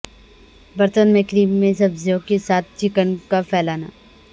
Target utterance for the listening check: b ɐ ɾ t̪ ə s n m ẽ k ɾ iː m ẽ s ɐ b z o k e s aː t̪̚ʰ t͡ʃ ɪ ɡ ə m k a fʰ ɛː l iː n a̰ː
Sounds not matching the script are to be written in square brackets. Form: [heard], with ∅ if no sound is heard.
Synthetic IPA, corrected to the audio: b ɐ ɾ t̪ ə [∅] n m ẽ k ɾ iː m ẽ s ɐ b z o k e s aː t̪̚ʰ t͡ʃ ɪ [k] ə [n] k a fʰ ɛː l [aː] n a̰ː